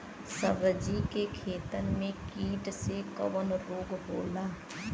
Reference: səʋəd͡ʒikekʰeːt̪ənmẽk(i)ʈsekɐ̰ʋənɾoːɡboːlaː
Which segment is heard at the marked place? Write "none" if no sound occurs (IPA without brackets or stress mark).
iː